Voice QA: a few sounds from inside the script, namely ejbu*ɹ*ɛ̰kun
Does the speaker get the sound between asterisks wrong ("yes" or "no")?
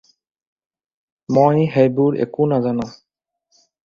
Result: no